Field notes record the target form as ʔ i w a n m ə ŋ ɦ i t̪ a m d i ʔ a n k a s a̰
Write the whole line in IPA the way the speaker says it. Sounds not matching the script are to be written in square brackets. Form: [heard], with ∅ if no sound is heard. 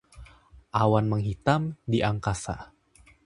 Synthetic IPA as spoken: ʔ [a] w a n m ə ŋ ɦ i t̪ a m d i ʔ a [ŋ] k a s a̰